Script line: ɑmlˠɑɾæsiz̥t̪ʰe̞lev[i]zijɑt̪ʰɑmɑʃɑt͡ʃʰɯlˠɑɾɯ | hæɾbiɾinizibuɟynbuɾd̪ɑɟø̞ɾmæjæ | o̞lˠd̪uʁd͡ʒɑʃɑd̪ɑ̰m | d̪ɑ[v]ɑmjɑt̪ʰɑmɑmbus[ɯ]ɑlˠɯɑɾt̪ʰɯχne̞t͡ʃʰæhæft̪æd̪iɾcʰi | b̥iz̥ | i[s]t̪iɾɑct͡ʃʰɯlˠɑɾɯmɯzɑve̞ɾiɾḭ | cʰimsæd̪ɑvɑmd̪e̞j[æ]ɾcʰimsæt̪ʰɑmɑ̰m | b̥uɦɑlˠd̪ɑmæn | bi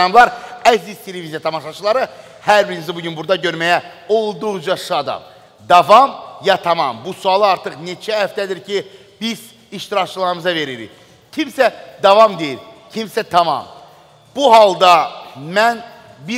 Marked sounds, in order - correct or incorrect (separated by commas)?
correct, correct, incorrect, incorrect, incorrect